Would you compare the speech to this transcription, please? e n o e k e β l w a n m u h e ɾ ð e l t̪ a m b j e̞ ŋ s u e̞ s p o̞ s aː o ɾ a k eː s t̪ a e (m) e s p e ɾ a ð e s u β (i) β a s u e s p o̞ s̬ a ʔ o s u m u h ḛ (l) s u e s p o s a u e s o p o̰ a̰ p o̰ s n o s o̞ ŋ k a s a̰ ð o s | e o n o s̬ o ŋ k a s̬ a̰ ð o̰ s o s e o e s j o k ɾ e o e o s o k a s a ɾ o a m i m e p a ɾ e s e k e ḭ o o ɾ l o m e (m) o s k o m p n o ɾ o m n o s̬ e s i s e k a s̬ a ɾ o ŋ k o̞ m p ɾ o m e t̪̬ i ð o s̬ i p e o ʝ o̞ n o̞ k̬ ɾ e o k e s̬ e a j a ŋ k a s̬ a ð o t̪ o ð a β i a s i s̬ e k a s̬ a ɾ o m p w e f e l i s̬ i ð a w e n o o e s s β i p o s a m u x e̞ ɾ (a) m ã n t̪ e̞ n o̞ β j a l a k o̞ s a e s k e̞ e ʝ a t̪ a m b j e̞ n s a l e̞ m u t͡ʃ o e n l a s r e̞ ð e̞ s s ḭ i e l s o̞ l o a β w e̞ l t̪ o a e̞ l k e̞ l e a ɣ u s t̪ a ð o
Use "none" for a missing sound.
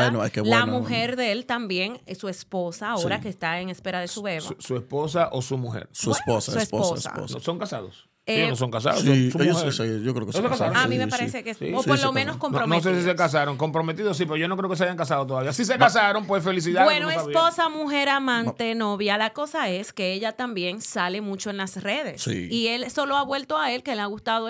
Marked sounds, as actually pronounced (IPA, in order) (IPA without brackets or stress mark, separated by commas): ŋ, e, ɾ, n, a